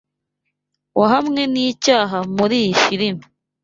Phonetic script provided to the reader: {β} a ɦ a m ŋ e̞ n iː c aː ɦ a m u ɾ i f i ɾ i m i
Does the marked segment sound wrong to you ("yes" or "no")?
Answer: yes